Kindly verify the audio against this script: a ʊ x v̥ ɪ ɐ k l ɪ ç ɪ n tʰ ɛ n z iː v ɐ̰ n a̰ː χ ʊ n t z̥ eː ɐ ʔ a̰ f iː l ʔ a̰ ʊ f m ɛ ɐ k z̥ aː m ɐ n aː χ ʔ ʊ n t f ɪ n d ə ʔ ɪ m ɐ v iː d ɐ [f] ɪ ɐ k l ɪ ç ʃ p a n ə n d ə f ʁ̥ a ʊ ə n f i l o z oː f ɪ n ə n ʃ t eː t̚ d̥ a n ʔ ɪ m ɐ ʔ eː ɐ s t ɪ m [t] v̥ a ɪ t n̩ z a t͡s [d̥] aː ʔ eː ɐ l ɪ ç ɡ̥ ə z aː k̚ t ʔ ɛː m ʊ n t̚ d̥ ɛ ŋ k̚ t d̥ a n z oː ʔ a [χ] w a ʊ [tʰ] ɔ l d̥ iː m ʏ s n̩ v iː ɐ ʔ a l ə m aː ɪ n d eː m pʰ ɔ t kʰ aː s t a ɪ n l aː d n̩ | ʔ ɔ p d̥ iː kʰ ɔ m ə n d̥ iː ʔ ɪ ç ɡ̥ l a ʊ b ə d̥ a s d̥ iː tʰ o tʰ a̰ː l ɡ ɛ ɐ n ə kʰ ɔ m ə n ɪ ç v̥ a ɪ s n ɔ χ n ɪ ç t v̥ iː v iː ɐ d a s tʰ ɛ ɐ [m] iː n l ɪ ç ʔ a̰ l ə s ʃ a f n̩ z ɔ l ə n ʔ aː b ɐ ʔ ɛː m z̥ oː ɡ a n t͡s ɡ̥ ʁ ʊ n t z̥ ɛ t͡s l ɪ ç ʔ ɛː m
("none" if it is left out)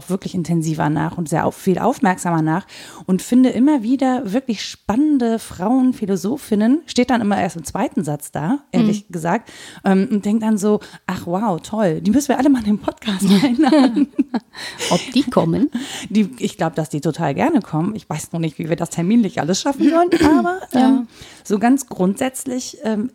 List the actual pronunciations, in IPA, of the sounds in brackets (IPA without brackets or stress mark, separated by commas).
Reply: v, t͡s, d̥, χ, tʰ, m